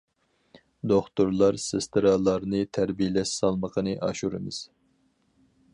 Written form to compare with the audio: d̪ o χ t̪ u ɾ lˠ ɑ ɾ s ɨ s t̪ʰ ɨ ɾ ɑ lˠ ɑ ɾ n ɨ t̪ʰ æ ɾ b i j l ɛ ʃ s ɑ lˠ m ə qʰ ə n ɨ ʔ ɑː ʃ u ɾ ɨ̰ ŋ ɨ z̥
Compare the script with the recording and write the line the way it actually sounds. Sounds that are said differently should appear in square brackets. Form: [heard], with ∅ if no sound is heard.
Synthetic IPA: d̪ o χ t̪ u ɾ lˠ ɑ ɾ s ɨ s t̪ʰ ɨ ɾ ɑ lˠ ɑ ɾ n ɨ t̪ʰ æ ɾ b i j l ɛ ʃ s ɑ lˠ m ə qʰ ə n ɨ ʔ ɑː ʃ u ɾ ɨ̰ [m] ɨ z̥